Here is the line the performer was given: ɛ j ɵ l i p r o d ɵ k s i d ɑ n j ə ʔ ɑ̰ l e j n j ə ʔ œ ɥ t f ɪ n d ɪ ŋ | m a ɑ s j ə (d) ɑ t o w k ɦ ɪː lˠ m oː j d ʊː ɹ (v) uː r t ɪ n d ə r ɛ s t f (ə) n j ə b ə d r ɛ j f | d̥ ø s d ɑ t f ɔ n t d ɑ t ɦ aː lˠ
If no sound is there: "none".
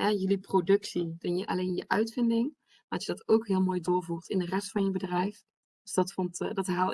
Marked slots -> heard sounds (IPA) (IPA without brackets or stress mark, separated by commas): d, v, ɑ